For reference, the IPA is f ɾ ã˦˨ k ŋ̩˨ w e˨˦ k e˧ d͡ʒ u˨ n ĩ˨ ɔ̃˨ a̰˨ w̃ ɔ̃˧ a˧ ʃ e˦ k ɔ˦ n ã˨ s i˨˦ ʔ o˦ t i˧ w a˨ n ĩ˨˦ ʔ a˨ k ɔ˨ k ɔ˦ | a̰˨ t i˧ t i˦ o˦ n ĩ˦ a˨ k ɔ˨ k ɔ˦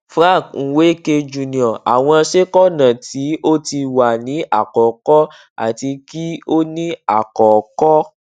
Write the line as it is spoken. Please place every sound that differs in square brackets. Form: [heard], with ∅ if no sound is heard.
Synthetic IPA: f ɾ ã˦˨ k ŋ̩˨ w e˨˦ k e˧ d͡ʒ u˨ n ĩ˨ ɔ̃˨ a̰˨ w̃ ɔ̃˧ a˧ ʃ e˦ k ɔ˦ n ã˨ [t] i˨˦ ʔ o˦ t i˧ w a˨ n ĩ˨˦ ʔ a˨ k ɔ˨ k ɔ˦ | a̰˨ t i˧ [k] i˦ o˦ n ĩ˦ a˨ k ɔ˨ k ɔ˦